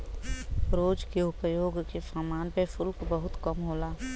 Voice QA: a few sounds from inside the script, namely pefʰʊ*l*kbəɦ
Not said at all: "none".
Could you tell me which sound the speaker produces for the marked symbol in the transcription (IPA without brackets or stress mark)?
l